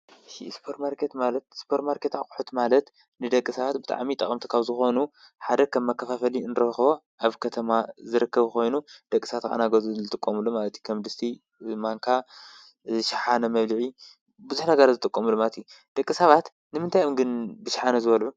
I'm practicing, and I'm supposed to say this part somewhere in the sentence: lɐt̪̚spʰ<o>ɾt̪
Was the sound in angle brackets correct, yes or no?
yes